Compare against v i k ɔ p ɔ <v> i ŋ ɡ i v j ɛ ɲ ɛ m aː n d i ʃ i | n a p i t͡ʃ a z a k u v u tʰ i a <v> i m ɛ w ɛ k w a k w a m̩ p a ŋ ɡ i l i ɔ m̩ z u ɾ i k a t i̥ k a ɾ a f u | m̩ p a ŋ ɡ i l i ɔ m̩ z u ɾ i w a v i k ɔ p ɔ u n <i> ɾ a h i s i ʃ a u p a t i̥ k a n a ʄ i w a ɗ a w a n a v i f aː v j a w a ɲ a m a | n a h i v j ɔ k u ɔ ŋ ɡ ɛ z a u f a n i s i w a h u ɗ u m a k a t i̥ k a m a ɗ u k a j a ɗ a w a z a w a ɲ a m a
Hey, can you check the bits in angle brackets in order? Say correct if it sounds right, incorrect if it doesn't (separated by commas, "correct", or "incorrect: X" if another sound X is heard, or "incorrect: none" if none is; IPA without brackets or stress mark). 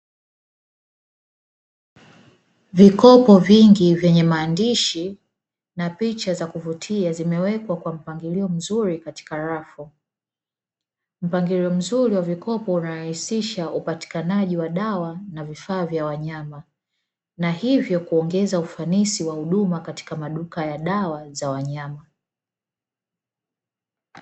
correct, incorrect: z, incorrect: a